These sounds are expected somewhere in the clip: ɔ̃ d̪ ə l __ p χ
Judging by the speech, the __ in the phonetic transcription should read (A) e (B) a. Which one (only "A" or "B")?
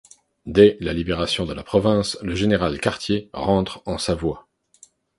B